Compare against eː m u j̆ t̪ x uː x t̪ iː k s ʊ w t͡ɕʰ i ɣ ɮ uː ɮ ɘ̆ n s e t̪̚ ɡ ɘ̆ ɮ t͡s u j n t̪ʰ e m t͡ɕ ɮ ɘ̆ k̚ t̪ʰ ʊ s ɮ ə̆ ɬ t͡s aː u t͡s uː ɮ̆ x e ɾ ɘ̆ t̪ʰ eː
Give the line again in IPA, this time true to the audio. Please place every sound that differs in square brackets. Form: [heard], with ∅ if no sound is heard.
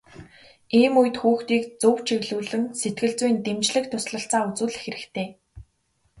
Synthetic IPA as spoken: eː m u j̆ t̪ x uː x t̪ iː k [t͡s] ʊ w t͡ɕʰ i ɣ ɮ uː ɮ ɘ̆ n s e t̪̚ ɡ ɘ̆ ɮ t͡s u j n [t̪] e m t͡ɕ ɮ ɘ̆ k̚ t̪ʰ ʊ s ɮ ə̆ ɬ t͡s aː u t͡s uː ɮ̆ x e ɾ ɘ̆ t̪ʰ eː